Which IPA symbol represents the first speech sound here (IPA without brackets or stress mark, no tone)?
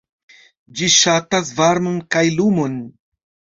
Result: d͡ʒ